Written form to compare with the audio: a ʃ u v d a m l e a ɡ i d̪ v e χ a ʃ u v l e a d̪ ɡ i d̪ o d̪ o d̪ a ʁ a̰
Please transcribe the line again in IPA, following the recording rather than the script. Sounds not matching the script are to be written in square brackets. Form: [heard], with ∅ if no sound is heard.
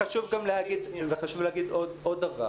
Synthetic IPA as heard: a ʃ u v [ɡ] a m l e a ɡ i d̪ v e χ a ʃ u v l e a [∅] ɡ i d̪ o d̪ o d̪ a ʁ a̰